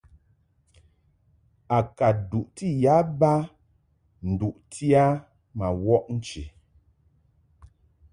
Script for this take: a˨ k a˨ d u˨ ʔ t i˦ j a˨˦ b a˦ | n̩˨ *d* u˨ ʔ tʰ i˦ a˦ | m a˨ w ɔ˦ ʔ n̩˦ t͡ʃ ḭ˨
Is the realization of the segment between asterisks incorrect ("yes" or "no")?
no